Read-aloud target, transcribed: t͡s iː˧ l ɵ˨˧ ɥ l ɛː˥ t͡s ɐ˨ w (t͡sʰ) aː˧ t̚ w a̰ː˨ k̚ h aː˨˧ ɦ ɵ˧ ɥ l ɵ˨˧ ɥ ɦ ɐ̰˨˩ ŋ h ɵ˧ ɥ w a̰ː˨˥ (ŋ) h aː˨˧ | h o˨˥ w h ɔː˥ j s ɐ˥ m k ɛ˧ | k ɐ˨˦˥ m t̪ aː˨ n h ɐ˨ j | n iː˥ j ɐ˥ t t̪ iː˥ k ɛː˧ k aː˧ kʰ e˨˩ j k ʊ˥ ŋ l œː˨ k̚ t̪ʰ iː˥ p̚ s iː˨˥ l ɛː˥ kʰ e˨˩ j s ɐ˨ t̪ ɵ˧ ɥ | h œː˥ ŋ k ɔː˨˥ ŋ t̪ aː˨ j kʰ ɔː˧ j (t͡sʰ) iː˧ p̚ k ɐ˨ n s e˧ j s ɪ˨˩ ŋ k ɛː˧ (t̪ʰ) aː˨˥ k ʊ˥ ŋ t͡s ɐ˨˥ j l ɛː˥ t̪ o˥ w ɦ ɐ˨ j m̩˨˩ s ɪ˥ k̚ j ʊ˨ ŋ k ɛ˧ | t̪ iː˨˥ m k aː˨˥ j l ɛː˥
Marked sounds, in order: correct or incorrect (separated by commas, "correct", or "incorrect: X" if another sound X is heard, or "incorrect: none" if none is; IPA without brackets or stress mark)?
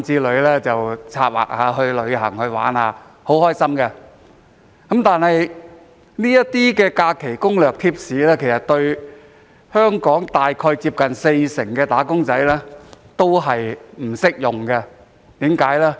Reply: correct, incorrect: n, incorrect: t͡s, incorrect: t̪